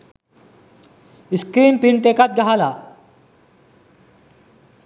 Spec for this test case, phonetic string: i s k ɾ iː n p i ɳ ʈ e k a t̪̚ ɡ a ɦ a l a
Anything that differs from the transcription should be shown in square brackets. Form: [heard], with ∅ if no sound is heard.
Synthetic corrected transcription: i s k ɾ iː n p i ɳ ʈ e k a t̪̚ ɡ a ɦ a l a